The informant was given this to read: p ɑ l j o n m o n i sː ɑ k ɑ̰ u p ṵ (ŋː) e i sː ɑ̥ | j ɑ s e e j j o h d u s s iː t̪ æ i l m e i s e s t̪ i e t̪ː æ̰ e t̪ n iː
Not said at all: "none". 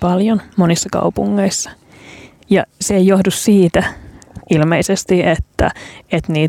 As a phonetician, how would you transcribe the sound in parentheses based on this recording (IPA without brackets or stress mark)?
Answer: ŋː